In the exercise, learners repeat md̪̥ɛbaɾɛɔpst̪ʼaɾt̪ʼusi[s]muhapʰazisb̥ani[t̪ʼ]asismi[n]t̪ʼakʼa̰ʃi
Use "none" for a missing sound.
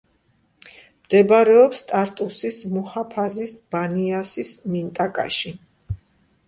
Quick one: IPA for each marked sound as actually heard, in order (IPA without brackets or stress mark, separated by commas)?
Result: s, none, n